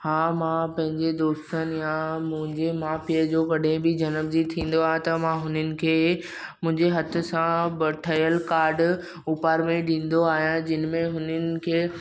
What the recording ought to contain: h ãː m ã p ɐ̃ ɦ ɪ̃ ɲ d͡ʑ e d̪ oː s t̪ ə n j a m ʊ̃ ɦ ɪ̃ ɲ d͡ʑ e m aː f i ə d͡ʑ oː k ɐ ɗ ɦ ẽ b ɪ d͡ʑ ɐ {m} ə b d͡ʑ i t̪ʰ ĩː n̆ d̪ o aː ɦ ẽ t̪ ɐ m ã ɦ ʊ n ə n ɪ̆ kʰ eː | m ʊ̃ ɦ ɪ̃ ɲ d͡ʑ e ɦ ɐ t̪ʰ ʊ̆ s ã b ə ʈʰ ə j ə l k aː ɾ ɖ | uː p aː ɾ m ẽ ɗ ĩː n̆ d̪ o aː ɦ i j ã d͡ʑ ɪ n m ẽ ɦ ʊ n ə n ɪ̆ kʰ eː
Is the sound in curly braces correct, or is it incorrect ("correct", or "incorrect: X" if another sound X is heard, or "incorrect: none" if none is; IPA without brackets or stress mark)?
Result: incorrect: n